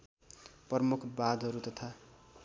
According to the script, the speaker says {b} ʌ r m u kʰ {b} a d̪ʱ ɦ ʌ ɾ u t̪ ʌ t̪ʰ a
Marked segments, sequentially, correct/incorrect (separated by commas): incorrect, correct